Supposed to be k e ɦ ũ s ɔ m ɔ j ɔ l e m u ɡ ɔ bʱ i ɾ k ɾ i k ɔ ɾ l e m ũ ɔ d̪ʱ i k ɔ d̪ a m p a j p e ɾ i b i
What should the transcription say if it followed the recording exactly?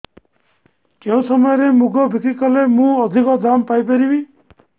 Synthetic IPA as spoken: k e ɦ ũ s ɔ m ɔ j ɔ ɾ e m u ɡ ɔ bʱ i k ɾ i k ɔ l e m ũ ɔ d̪ʱ i k ɔ d̪ a m p a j p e ɾ i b i